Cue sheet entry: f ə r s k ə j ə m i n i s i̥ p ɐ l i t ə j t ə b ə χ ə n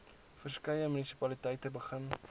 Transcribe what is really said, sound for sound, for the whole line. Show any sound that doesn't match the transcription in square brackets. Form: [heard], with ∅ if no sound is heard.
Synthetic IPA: f ə r s k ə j ə m [y] n i s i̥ p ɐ l i t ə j t ə b ə χ ə n